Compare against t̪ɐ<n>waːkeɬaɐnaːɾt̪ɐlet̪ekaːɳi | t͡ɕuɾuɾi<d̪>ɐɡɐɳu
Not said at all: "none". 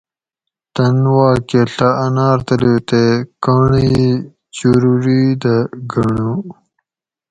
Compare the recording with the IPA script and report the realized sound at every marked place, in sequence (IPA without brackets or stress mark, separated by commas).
n, d̪